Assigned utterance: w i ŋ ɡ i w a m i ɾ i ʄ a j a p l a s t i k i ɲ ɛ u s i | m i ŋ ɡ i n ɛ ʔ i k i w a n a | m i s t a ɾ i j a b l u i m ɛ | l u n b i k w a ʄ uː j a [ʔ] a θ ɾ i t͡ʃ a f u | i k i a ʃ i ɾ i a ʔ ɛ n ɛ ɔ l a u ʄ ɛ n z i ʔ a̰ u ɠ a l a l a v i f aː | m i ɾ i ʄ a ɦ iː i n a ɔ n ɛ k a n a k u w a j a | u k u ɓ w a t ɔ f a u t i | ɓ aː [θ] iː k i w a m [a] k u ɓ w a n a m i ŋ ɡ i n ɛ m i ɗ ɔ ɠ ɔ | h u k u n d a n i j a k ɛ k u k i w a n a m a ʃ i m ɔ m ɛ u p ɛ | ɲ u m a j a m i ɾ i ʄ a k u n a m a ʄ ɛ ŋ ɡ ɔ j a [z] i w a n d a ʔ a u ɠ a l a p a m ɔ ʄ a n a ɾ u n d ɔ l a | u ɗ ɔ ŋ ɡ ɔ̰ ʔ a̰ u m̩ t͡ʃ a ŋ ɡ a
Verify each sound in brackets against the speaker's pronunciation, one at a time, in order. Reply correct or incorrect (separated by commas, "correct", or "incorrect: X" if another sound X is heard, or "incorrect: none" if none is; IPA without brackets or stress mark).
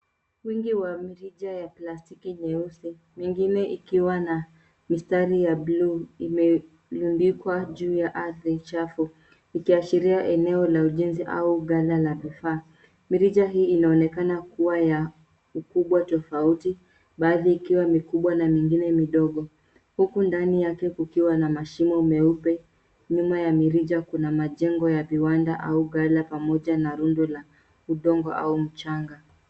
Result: correct, incorrect: ð, incorrect: i, incorrect: v